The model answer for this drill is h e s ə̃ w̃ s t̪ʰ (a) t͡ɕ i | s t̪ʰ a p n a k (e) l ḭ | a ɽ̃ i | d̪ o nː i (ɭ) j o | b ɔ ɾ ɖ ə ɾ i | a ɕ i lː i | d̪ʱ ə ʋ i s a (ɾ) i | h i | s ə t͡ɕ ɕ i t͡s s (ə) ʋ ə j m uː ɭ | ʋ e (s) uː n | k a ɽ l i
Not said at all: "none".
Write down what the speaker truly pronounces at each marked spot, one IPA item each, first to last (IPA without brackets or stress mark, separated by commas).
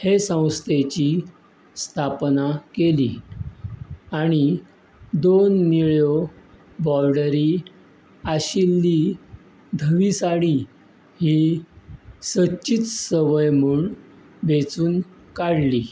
e, e, ɭ, ɽ, ə, t͡s